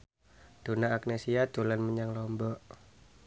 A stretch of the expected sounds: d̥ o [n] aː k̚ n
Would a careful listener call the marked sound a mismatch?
no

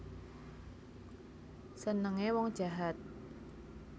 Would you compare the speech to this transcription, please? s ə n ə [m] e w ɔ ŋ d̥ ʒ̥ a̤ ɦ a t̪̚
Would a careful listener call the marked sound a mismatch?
yes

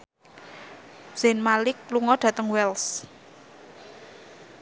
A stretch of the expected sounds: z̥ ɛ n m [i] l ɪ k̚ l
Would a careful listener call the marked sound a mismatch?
yes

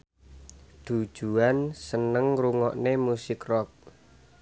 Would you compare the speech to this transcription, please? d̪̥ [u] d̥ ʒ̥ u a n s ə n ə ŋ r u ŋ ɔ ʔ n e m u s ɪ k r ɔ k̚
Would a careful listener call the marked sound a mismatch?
no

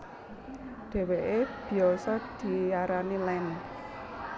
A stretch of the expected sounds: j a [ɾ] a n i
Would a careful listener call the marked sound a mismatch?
no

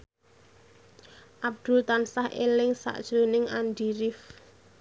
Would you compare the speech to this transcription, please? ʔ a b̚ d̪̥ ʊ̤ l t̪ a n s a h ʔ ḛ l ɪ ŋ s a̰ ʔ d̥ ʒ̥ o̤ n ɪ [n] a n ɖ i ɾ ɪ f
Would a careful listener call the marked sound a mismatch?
yes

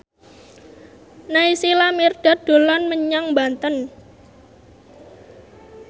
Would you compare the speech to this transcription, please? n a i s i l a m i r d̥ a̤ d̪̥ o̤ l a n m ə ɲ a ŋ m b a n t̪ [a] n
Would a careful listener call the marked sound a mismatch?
yes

